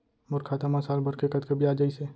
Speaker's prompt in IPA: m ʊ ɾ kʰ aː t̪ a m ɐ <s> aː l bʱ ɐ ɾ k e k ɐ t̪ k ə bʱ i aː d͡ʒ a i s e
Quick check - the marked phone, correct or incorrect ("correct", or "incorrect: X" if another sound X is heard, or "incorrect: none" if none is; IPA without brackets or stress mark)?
correct